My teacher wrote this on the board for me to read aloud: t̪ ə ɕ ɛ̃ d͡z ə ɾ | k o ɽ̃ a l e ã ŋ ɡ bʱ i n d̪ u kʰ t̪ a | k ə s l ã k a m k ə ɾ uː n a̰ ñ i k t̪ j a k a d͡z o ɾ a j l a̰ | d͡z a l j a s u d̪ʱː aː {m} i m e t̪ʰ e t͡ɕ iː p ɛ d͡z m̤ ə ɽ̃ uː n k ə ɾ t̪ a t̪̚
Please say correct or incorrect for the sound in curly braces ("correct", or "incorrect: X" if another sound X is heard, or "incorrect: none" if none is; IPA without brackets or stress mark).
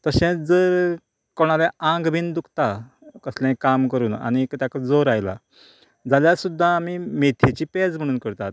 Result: correct